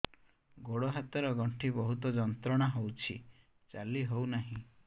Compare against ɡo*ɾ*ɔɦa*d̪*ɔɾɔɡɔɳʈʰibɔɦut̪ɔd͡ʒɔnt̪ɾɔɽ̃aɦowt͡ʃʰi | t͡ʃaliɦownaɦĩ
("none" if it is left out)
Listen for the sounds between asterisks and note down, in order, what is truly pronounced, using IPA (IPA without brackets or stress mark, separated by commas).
ɽ, t̪